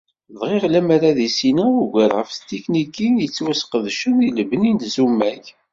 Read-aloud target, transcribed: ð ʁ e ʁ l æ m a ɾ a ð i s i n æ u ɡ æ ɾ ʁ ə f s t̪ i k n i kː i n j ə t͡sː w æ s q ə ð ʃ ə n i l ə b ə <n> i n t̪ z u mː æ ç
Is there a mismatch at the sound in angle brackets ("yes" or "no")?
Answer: no